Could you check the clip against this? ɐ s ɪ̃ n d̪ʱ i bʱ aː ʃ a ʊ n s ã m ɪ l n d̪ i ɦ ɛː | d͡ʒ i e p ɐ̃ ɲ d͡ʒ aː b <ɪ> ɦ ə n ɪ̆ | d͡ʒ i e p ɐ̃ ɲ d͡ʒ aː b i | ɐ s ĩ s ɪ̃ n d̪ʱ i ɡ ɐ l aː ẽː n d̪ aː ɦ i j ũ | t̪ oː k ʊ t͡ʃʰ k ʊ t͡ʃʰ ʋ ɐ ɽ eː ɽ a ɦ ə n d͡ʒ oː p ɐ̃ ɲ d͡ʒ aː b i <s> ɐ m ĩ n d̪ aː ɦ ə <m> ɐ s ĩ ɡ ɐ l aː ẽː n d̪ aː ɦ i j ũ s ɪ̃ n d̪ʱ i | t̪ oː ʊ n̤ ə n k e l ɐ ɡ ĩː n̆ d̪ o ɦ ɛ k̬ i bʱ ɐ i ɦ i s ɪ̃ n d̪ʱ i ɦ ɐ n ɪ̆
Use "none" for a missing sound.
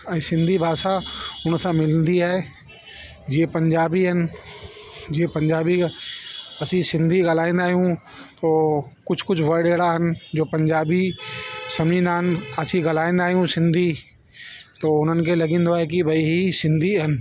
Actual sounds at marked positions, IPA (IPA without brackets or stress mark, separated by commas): i, s, n